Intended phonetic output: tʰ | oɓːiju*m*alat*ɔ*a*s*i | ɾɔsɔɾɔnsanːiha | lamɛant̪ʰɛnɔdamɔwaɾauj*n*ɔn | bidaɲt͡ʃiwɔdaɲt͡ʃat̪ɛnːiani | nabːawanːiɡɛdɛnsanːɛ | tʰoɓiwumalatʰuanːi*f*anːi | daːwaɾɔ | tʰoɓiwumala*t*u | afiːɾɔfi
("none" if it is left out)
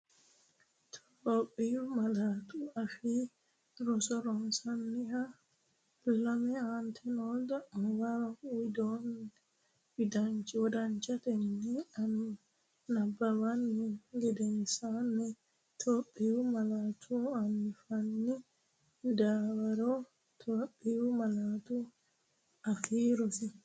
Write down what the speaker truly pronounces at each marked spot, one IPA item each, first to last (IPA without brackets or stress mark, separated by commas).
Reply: m, u, f, d, f, t